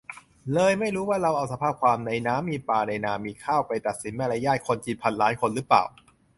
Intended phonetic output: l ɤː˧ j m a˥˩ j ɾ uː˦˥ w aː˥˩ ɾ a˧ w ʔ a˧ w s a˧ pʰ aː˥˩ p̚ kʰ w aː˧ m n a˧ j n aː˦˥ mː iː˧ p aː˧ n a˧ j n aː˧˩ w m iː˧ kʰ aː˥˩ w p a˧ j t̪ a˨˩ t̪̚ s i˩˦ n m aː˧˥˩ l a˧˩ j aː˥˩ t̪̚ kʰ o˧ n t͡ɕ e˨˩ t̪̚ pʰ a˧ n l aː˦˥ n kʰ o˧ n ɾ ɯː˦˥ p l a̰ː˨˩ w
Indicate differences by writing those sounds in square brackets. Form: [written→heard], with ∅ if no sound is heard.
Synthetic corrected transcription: l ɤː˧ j m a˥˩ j ɾ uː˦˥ w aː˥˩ ɾ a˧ w ʔ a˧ w s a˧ pʰ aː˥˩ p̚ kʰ w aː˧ m n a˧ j n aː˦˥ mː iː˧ p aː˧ n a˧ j n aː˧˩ [w→∅] m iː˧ kʰ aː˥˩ w p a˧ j t̪ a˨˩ t̪̚ s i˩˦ n m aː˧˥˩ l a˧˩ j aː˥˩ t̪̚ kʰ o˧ n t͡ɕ [e˨˩→i˨˩] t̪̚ pʰ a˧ n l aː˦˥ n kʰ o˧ n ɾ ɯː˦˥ p l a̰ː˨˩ w